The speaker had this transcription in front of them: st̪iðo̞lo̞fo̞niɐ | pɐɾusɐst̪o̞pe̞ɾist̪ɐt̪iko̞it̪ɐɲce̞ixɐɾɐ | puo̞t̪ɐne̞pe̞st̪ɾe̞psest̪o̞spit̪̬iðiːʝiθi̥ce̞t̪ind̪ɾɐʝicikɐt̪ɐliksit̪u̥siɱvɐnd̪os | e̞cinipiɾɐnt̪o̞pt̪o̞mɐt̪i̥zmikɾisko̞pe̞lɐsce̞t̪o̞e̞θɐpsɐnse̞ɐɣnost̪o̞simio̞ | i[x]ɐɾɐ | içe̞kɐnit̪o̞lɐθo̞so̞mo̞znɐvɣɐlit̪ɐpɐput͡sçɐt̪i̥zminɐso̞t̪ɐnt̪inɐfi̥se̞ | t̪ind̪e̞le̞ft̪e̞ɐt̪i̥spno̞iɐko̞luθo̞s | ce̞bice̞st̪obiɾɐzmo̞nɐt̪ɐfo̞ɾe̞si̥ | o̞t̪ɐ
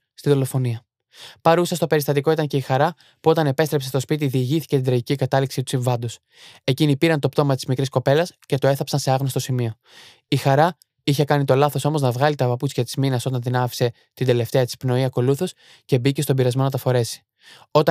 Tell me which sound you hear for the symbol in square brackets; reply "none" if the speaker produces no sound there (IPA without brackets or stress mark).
x